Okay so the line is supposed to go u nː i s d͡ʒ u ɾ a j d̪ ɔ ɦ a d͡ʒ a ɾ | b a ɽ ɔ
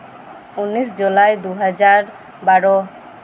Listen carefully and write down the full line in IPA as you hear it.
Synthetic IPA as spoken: u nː i s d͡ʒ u l a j d̪ u ɦ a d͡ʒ a ɾ | b a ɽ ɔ